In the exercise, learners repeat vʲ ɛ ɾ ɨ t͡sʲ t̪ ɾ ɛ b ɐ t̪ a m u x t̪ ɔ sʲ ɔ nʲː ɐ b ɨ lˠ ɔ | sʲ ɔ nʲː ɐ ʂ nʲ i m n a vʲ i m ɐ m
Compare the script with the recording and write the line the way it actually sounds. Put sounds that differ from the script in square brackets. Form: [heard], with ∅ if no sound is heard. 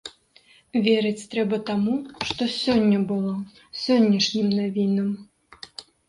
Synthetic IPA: vʲ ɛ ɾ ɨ t͡sʲ t̪ ɾ ɛ b ɐ t̪ a m u [ʂ] t̪ ɔ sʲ ɔ nʲː ɐ b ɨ lˠ ɔ | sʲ ɔ nʲː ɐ ʂ nʲ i m n a vʲ i [n] ɐ m